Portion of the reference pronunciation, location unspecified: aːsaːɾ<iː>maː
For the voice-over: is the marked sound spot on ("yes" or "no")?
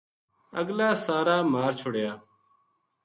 no